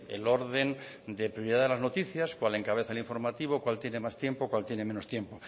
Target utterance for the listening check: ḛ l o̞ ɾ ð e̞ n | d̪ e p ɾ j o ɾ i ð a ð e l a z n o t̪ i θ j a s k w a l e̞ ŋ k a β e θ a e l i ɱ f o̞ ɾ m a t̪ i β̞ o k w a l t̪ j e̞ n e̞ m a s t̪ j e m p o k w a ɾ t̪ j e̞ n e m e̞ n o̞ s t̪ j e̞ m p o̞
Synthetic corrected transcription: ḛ l o̞ ɾ ð e̞ n | d̪ e p ɾ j o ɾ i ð a ð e l a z n o t̪ i θ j a s k w a l e̞ ŋ k a β e θ a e l i ɱ f o̞ ɾ m a t̪ i β̞ o k w a l t̪ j e̞ n e̞ m a s t̪ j e m p o k w a l t̪ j e̞ n e m e̞ n o̞ s t̪ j e̞ m p o̞